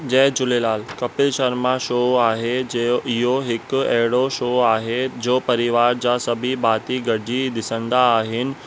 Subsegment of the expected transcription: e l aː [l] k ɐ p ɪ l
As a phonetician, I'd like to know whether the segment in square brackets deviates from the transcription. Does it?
no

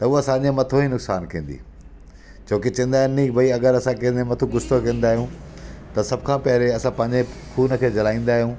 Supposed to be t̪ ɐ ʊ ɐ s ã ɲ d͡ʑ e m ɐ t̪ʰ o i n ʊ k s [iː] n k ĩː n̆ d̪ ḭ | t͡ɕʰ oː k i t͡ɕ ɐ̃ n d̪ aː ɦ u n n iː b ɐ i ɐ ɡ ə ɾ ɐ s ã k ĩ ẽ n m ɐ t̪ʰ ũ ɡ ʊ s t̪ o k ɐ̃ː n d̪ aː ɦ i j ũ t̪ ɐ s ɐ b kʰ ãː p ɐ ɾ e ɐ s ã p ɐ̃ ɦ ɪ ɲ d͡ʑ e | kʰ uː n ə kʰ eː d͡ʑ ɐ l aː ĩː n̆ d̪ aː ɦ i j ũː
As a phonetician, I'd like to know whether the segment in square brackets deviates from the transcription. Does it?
yes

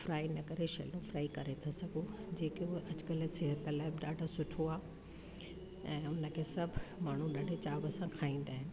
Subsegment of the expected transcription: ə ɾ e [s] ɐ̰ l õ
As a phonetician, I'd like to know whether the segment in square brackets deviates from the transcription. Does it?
yes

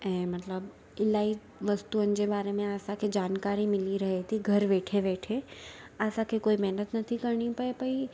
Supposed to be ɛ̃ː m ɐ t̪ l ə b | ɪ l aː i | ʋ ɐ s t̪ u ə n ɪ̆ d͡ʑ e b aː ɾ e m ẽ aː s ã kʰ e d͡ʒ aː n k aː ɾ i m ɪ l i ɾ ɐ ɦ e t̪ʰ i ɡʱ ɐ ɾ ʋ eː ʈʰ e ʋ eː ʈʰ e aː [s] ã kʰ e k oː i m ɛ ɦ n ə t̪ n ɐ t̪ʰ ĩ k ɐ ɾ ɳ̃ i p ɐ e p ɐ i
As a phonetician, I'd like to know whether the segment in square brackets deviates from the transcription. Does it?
no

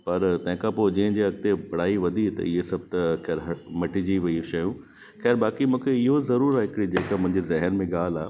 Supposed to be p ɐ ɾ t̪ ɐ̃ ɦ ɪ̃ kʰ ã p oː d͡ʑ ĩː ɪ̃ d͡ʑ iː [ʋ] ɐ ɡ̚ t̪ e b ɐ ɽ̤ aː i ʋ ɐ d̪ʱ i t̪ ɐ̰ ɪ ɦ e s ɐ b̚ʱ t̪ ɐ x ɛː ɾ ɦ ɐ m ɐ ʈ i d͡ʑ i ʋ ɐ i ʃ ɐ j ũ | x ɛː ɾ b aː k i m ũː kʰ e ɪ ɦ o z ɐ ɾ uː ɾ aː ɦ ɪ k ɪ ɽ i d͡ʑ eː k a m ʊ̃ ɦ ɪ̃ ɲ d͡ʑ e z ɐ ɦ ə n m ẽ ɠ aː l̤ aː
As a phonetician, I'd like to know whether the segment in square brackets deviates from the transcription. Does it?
yes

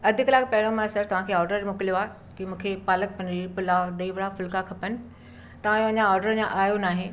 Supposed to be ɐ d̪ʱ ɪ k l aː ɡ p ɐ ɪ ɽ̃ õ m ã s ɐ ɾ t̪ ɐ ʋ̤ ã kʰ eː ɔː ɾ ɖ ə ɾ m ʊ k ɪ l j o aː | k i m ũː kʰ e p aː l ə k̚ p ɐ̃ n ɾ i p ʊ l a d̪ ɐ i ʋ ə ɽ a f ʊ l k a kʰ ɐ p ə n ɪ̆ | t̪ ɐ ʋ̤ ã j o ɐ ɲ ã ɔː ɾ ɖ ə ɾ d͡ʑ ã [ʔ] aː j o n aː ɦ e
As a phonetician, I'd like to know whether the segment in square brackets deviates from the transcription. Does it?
no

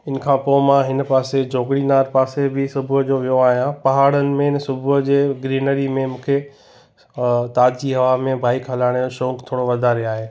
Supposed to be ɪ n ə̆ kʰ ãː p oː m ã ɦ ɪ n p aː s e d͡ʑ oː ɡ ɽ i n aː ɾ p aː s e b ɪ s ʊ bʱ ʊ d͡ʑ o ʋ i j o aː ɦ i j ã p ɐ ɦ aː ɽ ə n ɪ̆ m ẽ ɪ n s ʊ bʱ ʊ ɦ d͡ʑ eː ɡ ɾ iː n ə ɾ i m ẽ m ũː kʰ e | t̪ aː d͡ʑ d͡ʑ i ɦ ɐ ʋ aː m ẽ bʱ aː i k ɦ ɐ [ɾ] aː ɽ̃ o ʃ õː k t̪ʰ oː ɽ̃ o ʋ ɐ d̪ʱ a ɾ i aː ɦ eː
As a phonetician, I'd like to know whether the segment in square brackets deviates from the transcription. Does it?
yes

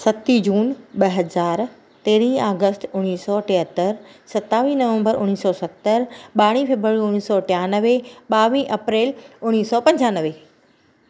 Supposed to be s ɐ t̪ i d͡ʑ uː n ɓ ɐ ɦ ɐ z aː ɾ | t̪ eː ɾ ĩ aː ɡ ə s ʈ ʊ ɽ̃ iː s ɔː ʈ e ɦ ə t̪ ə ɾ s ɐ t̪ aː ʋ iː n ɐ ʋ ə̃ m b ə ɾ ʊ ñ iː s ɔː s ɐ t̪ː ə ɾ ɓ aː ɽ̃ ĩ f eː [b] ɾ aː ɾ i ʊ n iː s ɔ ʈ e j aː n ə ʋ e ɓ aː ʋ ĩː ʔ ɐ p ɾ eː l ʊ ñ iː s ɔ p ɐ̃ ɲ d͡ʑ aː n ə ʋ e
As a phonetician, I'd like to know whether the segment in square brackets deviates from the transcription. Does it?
no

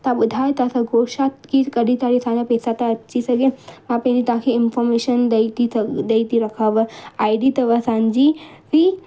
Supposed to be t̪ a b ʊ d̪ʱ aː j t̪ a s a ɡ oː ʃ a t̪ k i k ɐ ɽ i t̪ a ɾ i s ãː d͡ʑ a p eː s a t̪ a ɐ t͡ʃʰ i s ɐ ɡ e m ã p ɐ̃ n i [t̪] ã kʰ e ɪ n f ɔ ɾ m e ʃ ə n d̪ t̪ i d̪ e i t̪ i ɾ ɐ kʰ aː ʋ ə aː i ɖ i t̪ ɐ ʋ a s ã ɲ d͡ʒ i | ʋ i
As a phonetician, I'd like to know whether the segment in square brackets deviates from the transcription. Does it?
no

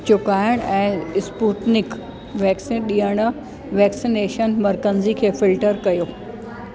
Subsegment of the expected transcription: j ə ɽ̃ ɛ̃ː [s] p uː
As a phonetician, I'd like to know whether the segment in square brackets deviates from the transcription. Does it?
no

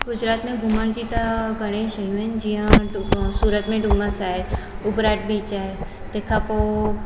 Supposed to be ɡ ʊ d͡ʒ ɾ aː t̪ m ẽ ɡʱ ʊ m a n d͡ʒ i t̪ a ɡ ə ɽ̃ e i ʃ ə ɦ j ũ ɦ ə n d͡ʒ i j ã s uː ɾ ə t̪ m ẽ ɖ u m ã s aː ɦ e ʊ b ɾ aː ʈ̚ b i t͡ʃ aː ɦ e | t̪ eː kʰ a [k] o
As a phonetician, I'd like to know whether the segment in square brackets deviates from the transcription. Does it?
yes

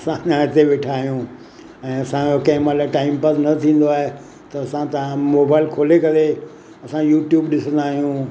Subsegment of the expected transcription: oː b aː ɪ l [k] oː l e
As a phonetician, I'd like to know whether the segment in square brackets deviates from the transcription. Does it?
yes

